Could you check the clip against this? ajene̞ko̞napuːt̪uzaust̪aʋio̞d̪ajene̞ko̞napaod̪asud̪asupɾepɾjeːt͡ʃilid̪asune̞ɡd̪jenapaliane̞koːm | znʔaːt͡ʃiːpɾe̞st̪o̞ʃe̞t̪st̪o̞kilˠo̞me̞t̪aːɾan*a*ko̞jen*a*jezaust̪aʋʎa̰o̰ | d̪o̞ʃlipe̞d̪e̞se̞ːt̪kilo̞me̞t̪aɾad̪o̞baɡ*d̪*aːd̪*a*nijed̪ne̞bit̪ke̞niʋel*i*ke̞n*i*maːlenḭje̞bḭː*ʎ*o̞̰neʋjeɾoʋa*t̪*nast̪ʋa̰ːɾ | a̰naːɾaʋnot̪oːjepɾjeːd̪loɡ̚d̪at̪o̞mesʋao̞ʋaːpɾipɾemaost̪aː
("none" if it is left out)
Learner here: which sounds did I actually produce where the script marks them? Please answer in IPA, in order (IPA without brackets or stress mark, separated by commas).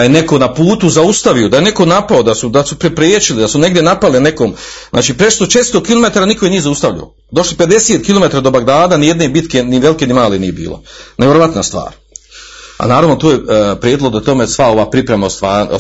i, i, d̪, a, i, i, l, t̪